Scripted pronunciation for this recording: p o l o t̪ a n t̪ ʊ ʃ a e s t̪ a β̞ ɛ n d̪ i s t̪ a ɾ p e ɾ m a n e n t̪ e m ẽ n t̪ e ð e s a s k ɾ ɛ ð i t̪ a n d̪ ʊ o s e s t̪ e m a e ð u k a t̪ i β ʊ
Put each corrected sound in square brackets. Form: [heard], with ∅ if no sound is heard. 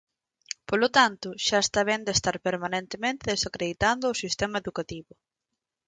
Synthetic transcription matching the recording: p o l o t̪ a n t̪ ʊ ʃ a e s t̪ a β̞ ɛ n d̪ [e] s t̪ a ɾ p e ɾ m a n e n t̪ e m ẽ n t̪ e ð e s a [∅] k ɾ [e] ð i t̪ a n d̪ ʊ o s [i] s t̪ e m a e ð u k a t̪ i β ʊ